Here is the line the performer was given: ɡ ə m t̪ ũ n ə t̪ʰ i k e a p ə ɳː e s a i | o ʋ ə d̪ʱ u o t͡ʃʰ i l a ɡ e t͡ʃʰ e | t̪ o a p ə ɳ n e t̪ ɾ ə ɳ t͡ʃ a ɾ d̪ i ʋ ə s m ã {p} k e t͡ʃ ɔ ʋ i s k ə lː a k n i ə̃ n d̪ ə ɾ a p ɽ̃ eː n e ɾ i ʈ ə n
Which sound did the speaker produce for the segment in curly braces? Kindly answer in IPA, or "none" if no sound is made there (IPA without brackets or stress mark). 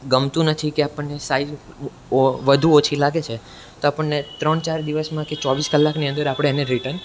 none